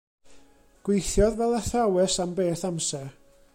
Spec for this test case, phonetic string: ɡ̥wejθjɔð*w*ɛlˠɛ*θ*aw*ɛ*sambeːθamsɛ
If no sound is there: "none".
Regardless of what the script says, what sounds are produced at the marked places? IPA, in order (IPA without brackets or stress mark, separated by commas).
v, θ, ɛ